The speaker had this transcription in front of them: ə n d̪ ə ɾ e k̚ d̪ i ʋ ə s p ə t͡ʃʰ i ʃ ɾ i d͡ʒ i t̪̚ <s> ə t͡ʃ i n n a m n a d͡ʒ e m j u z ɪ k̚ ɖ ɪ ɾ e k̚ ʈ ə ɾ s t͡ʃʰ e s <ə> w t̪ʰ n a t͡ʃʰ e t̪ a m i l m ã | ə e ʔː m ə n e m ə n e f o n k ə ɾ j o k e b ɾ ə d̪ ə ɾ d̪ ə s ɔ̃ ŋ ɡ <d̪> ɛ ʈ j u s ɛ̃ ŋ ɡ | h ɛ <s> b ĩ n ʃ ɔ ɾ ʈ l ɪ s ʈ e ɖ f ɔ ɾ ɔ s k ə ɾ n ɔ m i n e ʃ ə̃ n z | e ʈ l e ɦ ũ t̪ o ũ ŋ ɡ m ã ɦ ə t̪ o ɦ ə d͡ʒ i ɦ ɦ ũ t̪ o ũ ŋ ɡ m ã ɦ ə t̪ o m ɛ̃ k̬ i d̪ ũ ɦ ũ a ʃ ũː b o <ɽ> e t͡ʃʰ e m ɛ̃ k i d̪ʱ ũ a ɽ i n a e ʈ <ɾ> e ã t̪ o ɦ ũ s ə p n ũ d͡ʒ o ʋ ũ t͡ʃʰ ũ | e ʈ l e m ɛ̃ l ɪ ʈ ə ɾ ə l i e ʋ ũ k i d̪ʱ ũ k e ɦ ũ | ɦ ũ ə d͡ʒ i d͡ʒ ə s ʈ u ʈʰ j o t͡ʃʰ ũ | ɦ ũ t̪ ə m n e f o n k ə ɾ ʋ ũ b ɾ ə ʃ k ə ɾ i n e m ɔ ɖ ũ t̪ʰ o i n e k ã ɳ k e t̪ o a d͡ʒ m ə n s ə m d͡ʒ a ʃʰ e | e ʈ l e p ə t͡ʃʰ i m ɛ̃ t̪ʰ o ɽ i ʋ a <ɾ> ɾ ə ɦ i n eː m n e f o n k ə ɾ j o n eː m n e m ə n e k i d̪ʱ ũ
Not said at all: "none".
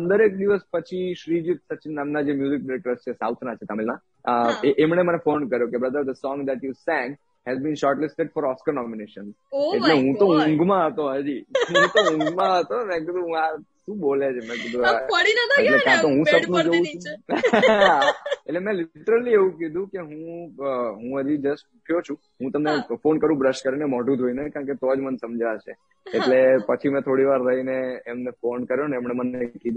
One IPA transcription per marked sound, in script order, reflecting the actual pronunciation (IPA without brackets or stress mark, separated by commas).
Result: s, a, d̪, z, l, l, ɾ